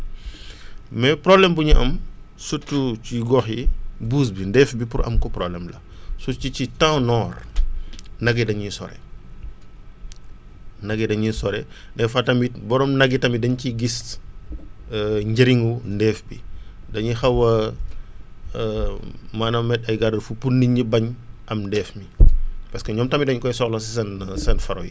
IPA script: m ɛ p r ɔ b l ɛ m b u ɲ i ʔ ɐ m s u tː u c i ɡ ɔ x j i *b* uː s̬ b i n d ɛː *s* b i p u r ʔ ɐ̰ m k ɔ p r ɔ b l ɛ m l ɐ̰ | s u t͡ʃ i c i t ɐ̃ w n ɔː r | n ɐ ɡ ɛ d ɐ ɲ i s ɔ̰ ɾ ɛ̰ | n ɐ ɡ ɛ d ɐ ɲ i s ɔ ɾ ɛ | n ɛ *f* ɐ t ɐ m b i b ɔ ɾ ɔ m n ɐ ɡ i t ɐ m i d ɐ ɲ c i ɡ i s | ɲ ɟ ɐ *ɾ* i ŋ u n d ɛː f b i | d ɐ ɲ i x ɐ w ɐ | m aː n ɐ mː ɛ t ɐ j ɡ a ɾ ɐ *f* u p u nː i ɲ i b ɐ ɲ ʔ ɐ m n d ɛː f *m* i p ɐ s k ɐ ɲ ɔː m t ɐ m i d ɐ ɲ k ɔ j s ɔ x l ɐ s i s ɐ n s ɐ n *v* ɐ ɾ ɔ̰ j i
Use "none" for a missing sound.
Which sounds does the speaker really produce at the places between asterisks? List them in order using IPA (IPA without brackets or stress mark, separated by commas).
b, f, f, ɾ, f, m, f